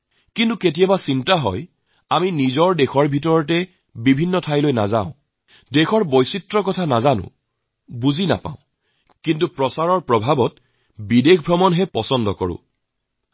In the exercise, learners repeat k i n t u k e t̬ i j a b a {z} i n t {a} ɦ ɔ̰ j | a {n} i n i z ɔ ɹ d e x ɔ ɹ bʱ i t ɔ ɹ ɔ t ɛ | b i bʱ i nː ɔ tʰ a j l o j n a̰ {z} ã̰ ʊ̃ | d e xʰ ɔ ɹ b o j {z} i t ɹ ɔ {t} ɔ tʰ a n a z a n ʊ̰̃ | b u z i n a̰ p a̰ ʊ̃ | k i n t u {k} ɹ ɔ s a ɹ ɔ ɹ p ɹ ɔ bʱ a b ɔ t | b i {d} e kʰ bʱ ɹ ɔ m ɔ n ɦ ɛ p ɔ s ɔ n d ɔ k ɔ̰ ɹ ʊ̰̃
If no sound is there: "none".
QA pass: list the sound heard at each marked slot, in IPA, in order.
s, a, m, z, s, k, p, d

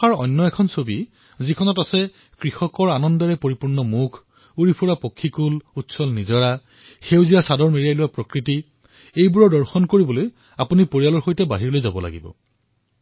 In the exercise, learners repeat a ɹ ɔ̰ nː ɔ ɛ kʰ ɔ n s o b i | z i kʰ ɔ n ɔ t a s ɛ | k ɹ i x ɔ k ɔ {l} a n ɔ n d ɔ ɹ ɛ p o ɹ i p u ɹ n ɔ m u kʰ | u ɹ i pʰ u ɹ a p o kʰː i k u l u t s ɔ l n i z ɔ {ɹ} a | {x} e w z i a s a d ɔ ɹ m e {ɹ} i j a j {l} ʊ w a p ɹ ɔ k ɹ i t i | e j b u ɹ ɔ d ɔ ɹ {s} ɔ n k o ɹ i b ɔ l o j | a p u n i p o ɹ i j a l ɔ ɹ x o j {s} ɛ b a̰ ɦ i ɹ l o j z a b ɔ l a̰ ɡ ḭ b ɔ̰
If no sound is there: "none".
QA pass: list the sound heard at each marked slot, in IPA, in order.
ɹ, ɹ, x, ɹ, l, x, t

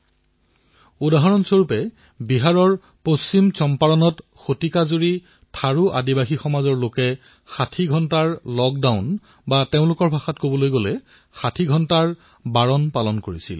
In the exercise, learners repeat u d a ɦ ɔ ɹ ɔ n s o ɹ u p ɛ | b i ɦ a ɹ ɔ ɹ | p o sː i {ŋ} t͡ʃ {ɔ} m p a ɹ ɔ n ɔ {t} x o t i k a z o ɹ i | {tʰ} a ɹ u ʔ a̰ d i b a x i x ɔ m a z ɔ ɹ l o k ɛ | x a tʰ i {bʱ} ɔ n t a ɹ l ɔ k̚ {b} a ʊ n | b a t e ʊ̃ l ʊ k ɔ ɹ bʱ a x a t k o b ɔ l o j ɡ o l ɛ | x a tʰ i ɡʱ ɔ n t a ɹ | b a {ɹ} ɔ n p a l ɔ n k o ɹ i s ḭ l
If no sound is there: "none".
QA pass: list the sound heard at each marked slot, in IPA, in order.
m, ɔ, t, tʰ, ɡʱ, d, ɹ

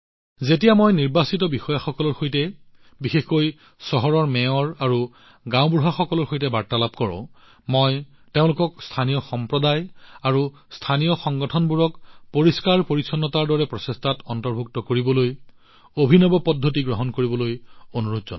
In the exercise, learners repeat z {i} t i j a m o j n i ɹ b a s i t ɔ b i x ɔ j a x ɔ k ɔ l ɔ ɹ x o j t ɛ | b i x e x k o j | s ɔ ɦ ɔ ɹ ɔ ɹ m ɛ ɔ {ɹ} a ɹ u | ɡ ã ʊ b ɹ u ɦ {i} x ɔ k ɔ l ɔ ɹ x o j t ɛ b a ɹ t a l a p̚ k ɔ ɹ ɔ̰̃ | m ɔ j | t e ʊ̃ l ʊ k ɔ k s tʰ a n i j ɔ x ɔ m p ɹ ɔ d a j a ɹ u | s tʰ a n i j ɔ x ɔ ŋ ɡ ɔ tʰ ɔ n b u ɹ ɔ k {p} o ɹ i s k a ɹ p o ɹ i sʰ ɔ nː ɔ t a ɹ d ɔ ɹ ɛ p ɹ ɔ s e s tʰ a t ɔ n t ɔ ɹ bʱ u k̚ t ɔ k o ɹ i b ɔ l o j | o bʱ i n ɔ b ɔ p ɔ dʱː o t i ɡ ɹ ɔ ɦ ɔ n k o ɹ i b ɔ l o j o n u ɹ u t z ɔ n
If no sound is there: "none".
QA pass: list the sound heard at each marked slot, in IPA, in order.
e, ɹ, a, p

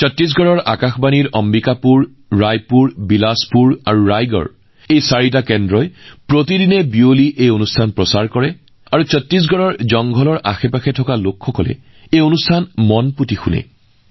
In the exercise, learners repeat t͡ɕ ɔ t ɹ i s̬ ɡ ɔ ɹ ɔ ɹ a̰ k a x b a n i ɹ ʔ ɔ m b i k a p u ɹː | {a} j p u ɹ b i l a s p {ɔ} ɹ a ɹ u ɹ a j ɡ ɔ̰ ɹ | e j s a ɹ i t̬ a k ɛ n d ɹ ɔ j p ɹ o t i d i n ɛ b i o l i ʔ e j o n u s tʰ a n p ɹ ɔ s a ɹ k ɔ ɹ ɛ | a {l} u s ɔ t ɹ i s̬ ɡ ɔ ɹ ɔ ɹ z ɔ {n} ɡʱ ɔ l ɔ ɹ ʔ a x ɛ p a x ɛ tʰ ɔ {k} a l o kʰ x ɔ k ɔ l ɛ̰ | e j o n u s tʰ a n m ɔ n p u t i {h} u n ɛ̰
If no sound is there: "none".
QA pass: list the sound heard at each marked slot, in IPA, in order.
a, u, ɹ, ŋ, k, x

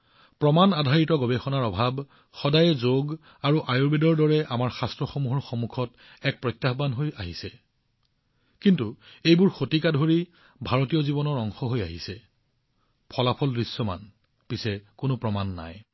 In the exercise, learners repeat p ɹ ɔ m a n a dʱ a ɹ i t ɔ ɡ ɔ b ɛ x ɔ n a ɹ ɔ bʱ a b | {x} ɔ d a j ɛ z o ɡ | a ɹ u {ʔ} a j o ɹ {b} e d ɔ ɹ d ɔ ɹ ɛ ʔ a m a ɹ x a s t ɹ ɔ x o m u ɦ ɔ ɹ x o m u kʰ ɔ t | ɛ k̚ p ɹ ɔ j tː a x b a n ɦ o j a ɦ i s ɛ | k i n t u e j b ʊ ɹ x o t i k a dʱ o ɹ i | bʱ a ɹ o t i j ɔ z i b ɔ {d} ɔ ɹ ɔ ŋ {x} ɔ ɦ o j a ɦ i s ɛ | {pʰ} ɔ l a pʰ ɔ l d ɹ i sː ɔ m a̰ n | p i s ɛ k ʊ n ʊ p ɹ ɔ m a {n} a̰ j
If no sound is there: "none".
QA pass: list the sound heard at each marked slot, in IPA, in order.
x, ʔ, b, n, x, pʰ, nː

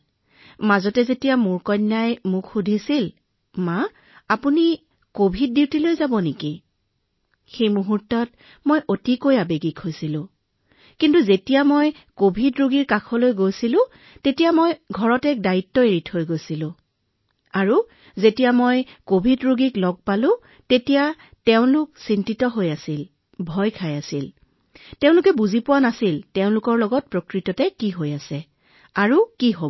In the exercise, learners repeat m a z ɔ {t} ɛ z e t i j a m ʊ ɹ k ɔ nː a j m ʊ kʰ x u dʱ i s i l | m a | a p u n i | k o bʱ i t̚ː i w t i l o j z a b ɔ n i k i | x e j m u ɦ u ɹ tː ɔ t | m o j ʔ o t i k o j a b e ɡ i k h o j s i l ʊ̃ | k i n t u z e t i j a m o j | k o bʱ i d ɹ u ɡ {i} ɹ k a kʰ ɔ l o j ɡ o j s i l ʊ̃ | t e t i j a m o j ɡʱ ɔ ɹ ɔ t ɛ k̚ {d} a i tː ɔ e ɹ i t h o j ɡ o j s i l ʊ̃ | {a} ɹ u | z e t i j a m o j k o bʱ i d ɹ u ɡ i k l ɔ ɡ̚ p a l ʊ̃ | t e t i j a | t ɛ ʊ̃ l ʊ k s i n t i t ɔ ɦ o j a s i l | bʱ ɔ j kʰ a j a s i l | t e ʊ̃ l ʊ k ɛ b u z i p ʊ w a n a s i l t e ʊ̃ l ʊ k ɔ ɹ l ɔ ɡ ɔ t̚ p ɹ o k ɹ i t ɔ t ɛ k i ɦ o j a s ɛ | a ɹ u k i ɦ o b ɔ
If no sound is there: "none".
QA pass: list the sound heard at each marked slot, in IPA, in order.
t, i, d, a

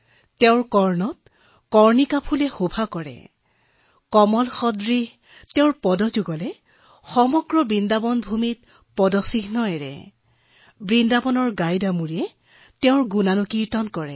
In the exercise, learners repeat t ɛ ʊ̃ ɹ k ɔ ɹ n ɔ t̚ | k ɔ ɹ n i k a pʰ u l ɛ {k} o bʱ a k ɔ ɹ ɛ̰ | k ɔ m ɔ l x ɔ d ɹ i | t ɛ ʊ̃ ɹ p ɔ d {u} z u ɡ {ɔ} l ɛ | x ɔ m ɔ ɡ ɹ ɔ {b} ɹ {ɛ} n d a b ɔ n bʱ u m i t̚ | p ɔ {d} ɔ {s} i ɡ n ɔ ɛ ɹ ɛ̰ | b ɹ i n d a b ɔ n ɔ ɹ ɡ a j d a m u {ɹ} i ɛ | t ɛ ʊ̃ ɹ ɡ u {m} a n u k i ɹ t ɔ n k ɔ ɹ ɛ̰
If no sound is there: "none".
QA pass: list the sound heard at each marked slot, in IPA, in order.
x, ɔ, ɔ, b, i, d, s, ɹ, n

